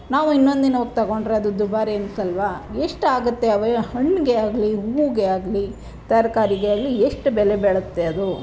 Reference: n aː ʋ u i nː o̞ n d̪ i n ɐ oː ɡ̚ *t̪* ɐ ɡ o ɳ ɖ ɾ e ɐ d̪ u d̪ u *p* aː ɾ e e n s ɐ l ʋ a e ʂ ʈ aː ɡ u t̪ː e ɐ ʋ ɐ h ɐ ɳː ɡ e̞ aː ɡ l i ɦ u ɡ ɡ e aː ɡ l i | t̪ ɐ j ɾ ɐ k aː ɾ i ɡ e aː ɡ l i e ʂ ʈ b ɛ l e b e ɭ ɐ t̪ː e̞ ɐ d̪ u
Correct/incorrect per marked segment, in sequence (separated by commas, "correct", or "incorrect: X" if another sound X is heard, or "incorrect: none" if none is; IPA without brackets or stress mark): correct, incorrect: b